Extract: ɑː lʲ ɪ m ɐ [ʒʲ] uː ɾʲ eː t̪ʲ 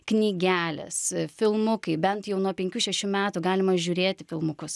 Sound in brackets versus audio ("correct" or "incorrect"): correct